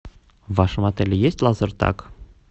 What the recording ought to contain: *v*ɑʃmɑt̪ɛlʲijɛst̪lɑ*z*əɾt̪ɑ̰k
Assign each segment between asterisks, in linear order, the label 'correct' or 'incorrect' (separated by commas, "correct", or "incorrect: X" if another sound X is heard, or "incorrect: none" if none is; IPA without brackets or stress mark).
correct, correct